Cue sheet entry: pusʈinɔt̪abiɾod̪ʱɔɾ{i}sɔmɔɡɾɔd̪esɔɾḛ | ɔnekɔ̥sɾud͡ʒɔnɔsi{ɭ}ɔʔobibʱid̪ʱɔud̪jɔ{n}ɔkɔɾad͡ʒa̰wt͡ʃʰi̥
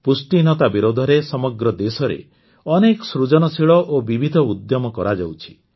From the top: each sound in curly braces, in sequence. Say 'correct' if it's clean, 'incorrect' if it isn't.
incorrect, correct, incorrect

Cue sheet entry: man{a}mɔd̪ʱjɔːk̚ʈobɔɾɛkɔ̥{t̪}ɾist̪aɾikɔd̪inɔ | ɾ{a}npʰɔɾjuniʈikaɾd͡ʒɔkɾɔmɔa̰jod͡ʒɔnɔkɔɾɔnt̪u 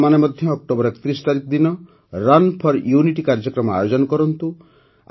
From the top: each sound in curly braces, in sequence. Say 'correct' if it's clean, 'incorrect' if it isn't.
incorrect, correct, correct

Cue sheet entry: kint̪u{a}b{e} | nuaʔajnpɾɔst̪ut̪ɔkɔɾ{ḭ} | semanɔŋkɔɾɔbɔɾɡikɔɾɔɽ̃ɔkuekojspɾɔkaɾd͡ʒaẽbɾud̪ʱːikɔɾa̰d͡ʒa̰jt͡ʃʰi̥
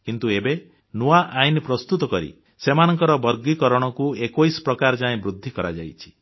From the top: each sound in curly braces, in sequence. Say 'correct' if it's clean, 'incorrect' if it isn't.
incorrect, correct, correct

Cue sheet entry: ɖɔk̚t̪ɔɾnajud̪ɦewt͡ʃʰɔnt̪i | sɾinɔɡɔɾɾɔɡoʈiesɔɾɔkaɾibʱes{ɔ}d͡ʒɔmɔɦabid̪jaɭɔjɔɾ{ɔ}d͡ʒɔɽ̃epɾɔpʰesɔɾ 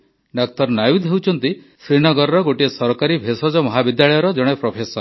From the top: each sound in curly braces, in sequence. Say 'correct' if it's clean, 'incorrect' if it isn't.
correct, correct

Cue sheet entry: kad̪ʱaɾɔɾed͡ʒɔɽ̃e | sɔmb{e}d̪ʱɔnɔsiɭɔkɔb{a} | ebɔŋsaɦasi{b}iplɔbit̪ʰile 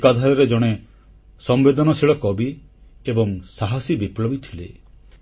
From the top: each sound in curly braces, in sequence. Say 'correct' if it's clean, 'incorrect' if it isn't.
correct, incorrect, correct

